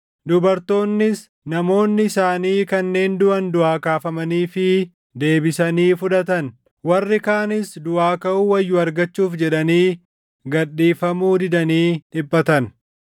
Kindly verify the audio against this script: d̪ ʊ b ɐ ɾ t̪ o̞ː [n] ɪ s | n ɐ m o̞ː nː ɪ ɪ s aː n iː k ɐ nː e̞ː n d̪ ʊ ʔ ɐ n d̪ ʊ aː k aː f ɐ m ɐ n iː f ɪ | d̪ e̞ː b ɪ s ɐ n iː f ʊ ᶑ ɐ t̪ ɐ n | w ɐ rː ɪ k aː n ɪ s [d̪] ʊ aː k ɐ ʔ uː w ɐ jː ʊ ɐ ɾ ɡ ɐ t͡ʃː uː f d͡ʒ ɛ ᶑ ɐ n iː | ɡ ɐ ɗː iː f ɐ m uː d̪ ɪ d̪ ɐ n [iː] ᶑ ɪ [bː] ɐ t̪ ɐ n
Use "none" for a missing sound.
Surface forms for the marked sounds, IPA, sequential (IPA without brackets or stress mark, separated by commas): nː, d̪, iː, bː